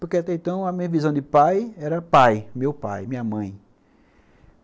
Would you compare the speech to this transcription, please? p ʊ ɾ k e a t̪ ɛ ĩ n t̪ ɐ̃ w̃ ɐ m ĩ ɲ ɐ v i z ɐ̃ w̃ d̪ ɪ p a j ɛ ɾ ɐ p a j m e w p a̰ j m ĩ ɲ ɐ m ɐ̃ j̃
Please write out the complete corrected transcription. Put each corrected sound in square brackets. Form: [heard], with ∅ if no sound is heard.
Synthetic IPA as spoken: p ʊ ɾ k e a t̪ ɛ [ẽ] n t̪ ɐ̃ w̃ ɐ m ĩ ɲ ɐ v i z ɐ̃ w̃ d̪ ɪ p a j ɛ ɾ ɐ p a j m e w p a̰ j m ĩ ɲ ɐ m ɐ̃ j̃